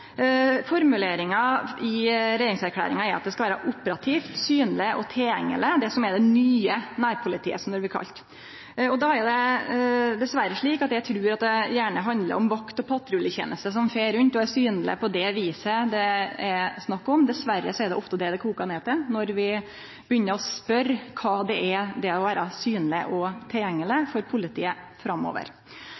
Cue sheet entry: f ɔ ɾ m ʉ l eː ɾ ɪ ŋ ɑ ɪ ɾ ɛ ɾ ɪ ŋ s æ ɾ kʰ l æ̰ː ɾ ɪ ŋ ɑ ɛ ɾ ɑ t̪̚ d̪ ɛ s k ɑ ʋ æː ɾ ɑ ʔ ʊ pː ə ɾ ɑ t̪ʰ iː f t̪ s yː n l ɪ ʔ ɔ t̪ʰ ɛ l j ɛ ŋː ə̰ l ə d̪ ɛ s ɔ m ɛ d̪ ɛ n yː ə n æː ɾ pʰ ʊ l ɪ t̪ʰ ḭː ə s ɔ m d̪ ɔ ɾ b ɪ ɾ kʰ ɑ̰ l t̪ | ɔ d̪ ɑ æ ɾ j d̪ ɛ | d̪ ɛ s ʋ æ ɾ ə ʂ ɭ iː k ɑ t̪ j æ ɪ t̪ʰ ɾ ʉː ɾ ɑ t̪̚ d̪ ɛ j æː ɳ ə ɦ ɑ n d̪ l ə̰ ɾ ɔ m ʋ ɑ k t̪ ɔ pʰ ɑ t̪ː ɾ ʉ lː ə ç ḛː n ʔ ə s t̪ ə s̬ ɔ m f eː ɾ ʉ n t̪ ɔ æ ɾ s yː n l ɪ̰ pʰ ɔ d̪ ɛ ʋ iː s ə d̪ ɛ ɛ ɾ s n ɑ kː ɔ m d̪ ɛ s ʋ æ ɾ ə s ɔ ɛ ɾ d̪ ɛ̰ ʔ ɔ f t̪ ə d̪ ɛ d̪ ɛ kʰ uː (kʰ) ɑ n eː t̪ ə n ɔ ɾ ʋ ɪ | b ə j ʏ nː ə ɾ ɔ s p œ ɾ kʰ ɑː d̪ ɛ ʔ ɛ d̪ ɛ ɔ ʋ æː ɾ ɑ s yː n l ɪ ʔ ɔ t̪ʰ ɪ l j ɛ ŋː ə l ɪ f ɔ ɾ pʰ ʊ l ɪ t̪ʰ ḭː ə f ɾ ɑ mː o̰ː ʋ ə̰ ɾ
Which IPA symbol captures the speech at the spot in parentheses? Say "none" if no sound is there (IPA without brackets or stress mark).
k